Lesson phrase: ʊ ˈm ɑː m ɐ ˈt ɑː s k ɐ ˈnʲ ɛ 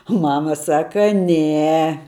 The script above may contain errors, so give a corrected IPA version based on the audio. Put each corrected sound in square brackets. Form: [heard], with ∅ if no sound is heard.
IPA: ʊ ˈm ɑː m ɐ [ˈs] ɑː [∅] k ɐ ˈnʲ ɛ